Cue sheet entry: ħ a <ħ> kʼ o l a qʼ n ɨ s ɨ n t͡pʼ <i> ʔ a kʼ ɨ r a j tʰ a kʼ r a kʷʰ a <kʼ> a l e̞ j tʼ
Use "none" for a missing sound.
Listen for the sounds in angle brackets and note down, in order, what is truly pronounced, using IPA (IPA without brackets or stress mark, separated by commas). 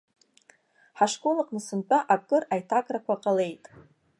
ʂ, a, qʼ